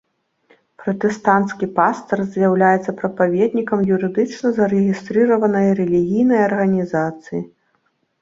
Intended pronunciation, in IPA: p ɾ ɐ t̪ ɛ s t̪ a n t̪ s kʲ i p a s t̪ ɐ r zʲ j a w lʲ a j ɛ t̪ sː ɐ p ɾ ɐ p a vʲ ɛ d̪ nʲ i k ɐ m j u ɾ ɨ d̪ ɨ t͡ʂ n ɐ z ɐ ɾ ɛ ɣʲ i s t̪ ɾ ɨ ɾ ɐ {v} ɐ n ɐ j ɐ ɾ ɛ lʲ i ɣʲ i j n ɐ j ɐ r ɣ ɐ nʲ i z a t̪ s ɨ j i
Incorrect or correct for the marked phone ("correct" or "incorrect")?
correct